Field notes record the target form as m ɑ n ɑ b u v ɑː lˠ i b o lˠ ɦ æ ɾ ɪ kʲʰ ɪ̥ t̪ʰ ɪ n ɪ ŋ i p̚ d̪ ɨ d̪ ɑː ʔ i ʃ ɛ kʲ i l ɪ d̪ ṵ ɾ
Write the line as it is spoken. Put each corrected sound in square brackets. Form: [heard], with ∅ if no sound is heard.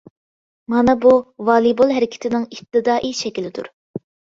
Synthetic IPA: m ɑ n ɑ b u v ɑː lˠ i b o lˠ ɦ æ ɾ ɪ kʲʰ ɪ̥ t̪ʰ ɪ n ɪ ŋ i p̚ [t̪] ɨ d̪ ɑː ʔ i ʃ ɛ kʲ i l ɪ d̪ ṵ ɾ